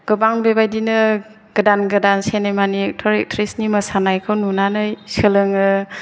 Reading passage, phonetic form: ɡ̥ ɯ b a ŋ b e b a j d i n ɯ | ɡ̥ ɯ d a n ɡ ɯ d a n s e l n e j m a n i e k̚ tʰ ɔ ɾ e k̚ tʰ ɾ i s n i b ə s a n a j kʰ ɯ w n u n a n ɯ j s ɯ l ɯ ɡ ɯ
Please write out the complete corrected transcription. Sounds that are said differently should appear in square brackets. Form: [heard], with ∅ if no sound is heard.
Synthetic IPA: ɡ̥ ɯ b a ŋ b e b a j d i n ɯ | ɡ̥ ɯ d a n ɡ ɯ d a n s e [∅] n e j m a n i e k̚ tʰ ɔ ɾ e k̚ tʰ ɾ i s n i [m] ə s a n a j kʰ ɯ w n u n a n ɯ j s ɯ l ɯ [ŋ] ɯ